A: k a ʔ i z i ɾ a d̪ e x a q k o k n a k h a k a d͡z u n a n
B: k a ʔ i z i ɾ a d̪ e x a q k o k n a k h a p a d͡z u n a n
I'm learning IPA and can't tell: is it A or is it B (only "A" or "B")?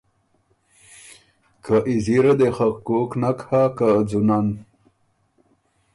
A